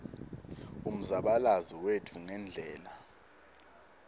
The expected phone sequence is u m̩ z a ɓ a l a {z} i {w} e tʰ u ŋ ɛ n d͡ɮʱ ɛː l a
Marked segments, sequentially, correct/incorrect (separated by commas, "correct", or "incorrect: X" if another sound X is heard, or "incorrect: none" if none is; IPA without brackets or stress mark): correct, correct